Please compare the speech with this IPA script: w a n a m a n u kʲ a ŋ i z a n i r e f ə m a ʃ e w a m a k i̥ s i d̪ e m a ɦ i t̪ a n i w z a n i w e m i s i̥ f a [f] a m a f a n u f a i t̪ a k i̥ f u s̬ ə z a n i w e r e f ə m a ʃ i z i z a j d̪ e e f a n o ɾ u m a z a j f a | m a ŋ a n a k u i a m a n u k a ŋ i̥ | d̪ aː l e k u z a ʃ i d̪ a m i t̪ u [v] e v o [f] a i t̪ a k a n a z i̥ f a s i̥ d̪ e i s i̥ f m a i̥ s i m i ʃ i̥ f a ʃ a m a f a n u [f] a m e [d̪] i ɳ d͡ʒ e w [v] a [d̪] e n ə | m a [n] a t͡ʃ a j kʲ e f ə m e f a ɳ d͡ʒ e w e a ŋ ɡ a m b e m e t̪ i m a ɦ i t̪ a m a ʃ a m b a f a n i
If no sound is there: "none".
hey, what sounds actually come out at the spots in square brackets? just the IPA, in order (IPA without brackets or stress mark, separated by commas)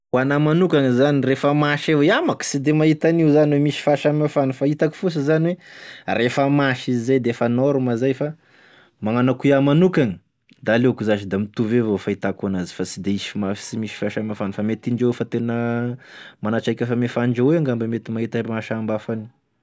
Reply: ʃ, v, f, f, t̪, f, t̪, n